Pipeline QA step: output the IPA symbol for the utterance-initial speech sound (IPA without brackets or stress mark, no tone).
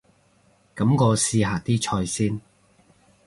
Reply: k